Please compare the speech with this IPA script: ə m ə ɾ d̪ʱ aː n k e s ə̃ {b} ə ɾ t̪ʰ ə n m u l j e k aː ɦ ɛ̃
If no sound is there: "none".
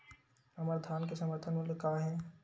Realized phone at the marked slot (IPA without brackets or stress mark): m